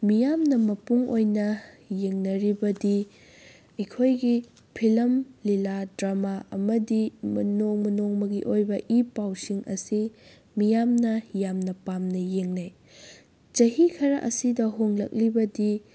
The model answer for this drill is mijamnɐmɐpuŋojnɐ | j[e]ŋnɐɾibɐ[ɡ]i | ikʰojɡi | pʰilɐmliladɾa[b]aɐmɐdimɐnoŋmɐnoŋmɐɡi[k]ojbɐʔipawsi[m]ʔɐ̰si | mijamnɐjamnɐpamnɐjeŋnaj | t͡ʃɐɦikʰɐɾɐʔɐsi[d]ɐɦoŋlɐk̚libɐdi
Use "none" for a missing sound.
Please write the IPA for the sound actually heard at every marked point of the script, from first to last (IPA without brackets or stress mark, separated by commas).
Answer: e, d, m, ʔ, ŋ, d